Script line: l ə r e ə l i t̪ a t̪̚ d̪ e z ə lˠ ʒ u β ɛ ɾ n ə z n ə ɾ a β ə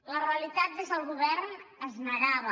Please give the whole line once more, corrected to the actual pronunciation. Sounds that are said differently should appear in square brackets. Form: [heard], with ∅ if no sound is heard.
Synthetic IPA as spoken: l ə r e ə l i t̪ a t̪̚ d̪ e z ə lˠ [ɣ] u β ɛ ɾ n ə z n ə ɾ a β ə